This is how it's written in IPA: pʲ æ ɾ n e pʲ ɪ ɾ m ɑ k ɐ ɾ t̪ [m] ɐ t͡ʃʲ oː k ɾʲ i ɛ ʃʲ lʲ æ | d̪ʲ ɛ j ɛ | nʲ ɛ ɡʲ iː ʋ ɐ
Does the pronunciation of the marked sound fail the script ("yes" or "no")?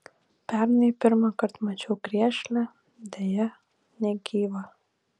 no